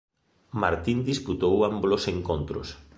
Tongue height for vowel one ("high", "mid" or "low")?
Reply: low